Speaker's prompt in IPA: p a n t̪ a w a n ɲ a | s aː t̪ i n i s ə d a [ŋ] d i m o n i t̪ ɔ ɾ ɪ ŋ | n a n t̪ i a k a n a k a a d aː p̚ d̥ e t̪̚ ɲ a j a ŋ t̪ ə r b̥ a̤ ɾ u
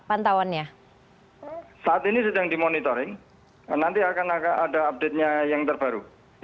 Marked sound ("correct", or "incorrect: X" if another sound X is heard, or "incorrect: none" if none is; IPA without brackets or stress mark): correct